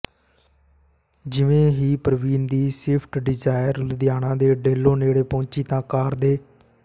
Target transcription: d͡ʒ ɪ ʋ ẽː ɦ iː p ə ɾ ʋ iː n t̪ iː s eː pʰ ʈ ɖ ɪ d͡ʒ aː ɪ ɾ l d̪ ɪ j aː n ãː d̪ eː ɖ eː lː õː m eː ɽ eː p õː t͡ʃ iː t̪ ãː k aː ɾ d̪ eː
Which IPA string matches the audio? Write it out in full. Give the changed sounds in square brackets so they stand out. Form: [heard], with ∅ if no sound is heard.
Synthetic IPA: d͡ʒ ɪ ʋ ẽː ɦ iː p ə ɾ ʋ iː n [d̪] iː s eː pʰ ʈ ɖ ɪ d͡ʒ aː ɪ ɾ l d̪ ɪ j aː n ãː d̪ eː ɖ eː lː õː [n] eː ɽ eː p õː t͡ʃ iː t̪ ãː k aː ɾ d̪ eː